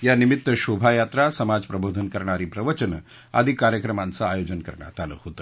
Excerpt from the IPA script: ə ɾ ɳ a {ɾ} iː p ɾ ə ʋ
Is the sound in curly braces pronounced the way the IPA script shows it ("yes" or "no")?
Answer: yes